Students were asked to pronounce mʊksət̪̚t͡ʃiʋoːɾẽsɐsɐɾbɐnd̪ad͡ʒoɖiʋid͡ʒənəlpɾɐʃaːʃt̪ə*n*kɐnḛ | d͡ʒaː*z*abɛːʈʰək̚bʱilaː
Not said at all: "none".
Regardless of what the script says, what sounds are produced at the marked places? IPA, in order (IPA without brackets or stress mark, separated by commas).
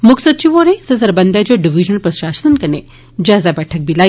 n, z